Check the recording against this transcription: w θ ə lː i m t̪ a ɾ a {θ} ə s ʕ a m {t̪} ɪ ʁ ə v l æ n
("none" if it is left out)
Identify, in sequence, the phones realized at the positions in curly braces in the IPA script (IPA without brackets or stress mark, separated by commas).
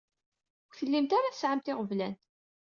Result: θ, t̪